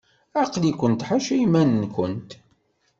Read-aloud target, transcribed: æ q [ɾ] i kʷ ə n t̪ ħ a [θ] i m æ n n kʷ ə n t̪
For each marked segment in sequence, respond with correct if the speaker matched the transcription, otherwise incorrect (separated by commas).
incorrect, incorrect